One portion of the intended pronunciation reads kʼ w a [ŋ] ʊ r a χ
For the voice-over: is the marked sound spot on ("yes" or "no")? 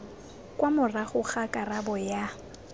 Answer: no